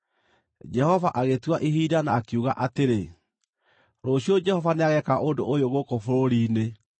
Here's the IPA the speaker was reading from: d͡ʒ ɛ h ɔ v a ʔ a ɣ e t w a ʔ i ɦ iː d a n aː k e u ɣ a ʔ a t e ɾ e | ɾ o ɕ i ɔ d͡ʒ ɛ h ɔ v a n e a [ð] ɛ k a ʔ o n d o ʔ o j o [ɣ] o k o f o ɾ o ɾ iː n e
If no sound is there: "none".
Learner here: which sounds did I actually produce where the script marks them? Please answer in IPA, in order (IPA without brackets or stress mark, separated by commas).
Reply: ɣ, ɣ